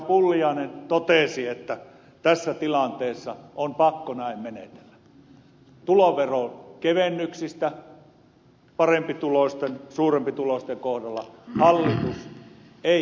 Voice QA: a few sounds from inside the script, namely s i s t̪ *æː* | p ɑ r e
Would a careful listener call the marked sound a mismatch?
yes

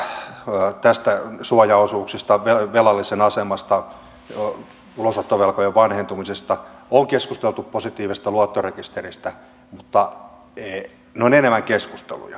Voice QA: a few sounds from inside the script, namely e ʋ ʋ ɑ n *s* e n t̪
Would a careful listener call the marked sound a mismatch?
yes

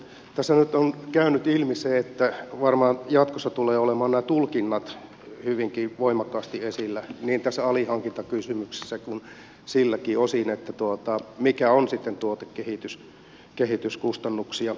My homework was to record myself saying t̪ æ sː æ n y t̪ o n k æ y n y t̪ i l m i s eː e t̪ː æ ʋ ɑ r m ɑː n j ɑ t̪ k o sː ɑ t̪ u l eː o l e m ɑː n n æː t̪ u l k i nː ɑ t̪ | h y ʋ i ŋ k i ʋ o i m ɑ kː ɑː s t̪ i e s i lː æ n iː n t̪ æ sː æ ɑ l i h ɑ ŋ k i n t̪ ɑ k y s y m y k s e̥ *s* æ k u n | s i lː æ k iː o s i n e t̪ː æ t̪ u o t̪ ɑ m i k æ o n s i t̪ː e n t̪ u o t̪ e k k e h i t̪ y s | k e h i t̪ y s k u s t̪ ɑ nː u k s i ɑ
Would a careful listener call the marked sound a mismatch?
yes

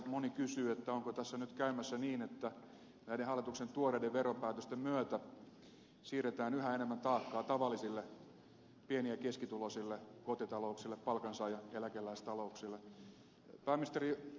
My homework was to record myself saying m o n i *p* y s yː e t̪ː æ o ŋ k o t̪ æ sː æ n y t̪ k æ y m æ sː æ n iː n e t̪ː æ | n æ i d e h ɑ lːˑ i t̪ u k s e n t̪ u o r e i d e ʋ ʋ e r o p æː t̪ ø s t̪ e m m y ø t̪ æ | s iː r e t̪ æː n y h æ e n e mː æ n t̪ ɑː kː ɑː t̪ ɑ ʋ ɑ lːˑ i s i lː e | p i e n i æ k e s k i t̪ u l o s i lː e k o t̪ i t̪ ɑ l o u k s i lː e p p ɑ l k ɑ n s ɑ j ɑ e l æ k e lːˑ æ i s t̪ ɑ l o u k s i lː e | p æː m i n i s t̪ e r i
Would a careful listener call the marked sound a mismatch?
yes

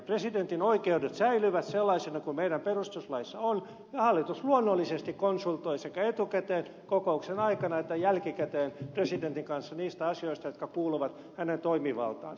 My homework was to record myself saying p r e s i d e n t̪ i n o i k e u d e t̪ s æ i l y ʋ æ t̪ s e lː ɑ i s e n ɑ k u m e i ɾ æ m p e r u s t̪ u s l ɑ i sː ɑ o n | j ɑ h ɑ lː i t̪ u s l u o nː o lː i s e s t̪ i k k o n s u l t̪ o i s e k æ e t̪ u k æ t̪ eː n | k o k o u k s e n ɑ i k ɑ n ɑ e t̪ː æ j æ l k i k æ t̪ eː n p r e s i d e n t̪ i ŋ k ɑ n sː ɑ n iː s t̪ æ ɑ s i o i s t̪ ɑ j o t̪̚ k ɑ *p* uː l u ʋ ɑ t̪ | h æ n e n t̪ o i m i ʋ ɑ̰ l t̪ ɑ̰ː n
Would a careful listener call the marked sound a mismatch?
yes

